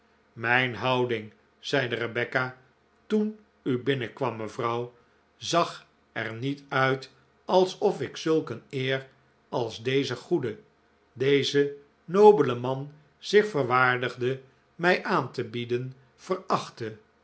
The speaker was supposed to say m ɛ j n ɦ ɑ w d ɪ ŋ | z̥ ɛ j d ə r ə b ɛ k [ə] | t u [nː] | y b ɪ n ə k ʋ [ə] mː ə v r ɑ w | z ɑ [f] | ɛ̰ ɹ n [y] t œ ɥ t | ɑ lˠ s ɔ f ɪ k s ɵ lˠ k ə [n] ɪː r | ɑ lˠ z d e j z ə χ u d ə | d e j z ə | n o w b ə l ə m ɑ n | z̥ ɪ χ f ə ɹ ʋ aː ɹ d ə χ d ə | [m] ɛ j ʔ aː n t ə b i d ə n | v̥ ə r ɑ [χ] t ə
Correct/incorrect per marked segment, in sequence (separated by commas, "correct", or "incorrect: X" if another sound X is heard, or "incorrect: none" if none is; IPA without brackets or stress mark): incorrect: a, incorrect: n, incorrect: ɑ, incorrect: χ, incorrect: i, correct, correct, correct